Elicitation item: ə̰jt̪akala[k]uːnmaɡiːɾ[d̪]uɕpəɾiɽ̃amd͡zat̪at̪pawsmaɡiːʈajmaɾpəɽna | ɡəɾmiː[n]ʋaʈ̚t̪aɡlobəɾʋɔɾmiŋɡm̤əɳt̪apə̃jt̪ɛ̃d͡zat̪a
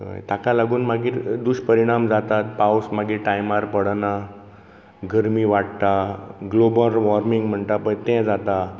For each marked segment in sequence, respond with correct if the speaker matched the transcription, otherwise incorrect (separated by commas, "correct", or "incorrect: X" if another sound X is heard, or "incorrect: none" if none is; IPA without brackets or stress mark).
incorrect: ɡ, correct, incorrect: none